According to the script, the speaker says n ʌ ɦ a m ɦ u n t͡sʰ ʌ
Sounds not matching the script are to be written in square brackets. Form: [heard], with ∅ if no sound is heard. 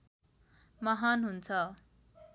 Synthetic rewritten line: [m] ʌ ɦ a [n] ɦ u n t͡sʰ ʌ